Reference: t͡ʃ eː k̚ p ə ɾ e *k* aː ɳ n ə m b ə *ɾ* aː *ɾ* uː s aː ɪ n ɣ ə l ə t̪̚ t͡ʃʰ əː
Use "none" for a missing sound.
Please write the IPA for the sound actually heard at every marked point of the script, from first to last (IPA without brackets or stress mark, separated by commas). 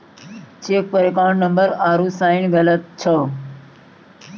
k, ɾ, ɾ